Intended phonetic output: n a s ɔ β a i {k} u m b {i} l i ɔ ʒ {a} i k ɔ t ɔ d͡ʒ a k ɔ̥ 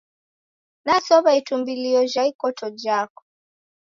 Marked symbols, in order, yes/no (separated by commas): no, yes, yes